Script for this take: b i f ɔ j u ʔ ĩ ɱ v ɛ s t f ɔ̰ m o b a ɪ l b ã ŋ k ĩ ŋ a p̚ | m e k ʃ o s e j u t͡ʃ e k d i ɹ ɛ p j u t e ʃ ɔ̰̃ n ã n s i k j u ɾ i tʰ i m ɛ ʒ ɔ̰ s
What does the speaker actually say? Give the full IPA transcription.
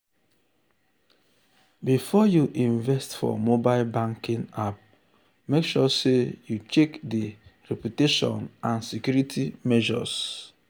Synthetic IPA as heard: b i f ɔ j u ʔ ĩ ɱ v ɛ s t f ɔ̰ m o b a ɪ l b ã ŋ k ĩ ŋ a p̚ | m e k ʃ ɔ s e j u t͡ʃ e k d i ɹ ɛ p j u t e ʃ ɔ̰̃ n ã n s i k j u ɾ i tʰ i m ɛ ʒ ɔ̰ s

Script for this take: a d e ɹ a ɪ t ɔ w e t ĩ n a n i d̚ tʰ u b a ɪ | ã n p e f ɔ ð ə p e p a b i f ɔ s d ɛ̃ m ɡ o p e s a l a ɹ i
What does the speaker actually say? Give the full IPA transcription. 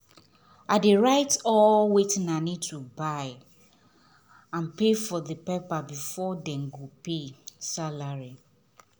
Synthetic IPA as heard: a d e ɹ a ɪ t ɔ w e t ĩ n a n i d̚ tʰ u b a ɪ | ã n p e f ɔ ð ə p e p a b i f ɔ d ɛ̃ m ɡ o p e s a l a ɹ i

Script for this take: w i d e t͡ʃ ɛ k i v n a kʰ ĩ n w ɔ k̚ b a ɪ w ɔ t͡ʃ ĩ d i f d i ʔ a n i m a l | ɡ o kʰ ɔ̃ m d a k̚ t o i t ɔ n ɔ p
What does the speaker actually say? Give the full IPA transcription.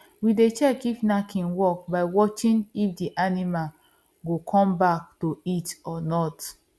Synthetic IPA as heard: w i d e t͡ʃ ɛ k i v n a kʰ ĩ n w ɔ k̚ b a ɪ w ɔ t͡ʃ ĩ n i f d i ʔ a n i m a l | ɡ o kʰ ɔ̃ m b a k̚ t o i t ɔ n ɔ t

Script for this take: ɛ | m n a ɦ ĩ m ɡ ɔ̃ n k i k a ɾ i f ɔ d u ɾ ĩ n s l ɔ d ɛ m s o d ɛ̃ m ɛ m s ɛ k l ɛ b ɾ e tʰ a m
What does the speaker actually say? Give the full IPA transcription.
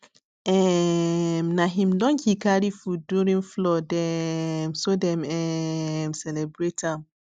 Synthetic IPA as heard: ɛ | m n a ɦ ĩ m d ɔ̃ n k i k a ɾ i f u d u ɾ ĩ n f l ɔ d ɛ m s o d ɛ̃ m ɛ m s ɛ l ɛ b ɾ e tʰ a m

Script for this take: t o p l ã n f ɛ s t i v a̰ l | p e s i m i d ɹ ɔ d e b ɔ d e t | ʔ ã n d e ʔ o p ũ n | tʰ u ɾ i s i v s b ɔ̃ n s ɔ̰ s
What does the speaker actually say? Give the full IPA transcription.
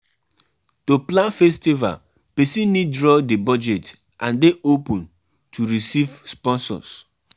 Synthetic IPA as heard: t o p l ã n f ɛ s t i v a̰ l | p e s i n i d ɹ ɔ d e b ɔ d͡ʒ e t | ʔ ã n d e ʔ o p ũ n | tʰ u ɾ i s i v s p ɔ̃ n s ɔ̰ s

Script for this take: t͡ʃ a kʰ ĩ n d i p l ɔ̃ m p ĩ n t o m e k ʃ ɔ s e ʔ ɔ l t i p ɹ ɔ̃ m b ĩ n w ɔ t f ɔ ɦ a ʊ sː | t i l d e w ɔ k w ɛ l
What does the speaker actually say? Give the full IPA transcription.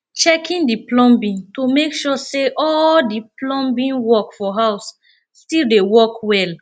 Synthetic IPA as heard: t͡ʃ ɛ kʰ ĩ n d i p l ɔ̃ m b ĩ n t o m e k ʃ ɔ s e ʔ ɔ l d i p l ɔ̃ m b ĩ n w ɔ k f ɔ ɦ a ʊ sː | t i l d e w ɔ k w ɛ l

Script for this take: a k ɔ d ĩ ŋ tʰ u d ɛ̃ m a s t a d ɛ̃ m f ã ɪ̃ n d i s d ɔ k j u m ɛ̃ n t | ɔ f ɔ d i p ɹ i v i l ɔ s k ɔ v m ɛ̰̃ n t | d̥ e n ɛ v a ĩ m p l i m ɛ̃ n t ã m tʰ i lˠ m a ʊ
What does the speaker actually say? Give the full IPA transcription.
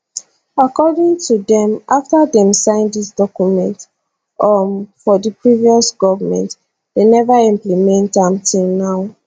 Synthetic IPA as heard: a k ɔ d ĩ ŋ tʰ u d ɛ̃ m a f t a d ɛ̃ m s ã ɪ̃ n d i s d ɔ k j u m ɛ̃ n t | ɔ f ɔ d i p ɹ i v i ɔ s ɡ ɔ v m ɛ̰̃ n t | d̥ e n ɛ v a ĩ m p l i m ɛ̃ n t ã m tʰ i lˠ n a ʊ

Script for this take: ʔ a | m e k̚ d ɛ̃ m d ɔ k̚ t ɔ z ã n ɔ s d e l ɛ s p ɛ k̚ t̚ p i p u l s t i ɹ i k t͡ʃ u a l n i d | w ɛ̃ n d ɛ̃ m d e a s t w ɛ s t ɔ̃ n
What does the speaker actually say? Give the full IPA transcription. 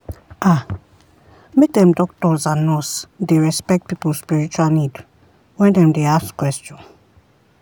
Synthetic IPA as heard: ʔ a | m e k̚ d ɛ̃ m d ɔ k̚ t ɔ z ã n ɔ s d e ɹ ɛ s p ɛ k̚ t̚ p i p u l s p i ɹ i t͡ʃ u a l n i d | w ɛ̃ n d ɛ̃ m d e a s k w ɛ s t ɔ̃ n

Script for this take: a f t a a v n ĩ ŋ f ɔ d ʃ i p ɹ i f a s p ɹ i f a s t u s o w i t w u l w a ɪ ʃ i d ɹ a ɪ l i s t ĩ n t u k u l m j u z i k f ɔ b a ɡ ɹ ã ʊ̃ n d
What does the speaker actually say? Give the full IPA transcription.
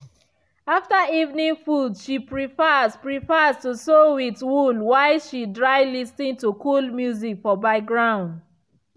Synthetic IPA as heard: a f t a i v n ĩ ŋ f u d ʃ i p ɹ i f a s p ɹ i f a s t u s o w i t w u l w a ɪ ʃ i d ɹ a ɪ l i s t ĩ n t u k u l m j u z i k f ɔ b a ɡ ɹ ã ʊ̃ n d

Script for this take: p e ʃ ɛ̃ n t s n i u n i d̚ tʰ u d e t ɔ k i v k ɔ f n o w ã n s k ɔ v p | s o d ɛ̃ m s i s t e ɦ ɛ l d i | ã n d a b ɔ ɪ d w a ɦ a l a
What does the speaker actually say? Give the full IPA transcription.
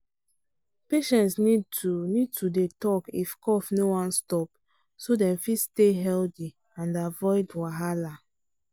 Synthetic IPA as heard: p e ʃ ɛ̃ n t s n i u n i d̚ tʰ u d e t ɔ k i f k ɔ f n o w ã n s t ɔ p | s o d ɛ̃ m f i s t e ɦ ɛ l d i | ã n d a v ɔ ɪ d w a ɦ a l a

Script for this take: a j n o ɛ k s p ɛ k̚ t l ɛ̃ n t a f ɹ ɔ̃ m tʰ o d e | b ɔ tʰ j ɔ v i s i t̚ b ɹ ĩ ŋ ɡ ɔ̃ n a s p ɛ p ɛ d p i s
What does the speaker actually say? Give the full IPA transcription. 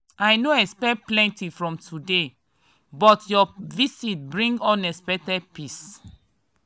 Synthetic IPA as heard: a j n o ɛ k s p ɛ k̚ p l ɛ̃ n t i f ɹ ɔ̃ m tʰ u d e | b ɔ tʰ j ɔ v i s i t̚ b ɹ ĩ ŋ ɡ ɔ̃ n ɛ s p ɛ t ɛ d p i s

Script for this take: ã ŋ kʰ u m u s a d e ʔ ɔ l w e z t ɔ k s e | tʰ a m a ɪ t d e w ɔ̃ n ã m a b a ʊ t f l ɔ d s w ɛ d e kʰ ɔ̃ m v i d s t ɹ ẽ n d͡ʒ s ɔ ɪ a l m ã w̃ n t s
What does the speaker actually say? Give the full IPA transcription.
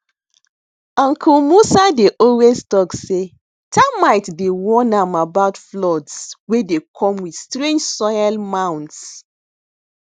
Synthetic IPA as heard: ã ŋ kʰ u m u s a d e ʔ ɔ l w e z t ɔ k s e | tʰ a m a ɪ t d e w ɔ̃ n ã m a b a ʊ t f l ɔ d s w e d e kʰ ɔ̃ m w i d s t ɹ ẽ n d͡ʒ s ɔ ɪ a l m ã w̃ n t s

